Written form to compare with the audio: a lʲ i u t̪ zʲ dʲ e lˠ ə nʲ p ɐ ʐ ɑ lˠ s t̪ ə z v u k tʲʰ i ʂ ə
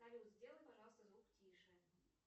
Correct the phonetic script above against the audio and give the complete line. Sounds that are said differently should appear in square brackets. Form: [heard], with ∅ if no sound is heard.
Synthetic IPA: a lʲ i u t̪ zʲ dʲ e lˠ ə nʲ p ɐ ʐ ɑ lˠ s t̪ ə z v u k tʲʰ i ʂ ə

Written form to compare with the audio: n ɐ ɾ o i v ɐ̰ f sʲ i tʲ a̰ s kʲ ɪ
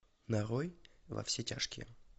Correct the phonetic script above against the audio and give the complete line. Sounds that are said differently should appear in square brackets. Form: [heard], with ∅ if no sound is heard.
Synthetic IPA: n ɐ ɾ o [j] v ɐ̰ f sʲ [e] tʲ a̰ [ʂ] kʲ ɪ

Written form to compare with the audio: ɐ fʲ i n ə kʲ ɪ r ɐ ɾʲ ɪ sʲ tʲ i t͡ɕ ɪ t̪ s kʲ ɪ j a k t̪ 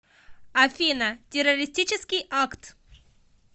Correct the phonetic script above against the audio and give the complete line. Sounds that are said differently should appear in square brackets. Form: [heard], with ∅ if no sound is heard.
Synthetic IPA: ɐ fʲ i n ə [tʲ] ɪ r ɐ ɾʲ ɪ sʲ tʲ i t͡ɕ ɪ [∅] s kʲ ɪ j a k t̪

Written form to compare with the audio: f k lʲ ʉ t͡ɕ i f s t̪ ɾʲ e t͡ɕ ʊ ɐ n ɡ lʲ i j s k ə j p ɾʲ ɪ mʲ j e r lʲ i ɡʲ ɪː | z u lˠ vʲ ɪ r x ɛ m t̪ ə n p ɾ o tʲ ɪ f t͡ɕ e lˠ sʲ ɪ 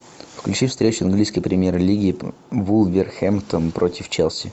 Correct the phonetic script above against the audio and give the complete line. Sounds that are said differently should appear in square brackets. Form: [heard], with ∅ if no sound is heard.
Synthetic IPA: f k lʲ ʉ t͡ɕ i f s t̪ ɾʲ e t͡ɕ ʊ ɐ n ɡ lʲ i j s k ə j p ɾʲ ɪ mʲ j e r lʲ i ɡʲ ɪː | [v] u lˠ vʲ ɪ r x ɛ m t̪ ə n p ɾ o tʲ ɪ f t͡ɕ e lˠ sʲ ɪ

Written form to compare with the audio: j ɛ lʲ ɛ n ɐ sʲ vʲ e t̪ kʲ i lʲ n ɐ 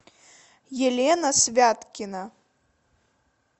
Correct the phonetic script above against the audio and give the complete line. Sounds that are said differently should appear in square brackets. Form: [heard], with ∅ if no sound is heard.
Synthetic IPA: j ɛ lʲ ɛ n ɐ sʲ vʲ [a] t̪ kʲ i [∅] n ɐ

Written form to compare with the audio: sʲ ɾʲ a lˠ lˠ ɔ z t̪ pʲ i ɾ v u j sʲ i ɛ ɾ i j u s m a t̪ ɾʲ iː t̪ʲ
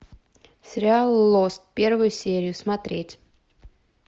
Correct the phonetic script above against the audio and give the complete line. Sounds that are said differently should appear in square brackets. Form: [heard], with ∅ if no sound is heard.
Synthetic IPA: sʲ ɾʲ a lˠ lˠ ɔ [s] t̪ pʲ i ɾ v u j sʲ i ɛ ɾ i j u s m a t̪ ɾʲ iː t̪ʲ

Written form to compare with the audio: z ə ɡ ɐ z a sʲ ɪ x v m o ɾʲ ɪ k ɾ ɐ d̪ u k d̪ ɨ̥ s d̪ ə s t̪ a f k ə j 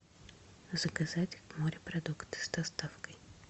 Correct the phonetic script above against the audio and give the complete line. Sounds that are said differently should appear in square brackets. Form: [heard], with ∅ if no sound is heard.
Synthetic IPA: z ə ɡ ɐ z a [tʲ] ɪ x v m o ɾʲ ɪ [p] ɾ ɐ d̪ u k [t̪] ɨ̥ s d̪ [ɐ] s t̪ a f k ə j

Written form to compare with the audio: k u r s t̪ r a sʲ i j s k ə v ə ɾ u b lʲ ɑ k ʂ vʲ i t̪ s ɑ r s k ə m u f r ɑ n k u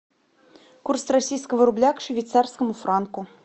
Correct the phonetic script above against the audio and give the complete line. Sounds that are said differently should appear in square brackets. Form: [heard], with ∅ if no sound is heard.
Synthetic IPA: k u r s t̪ r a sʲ i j s k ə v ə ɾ u b lʲ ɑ k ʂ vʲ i t̪ s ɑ r s k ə m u f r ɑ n k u

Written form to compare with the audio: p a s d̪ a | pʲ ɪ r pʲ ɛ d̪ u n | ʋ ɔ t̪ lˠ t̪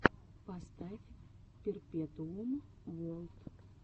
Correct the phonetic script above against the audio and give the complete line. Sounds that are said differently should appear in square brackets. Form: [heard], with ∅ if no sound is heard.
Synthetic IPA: p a s [t̪] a | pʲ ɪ r pʲ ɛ [t̪] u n | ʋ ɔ [∅] lˠ t̪

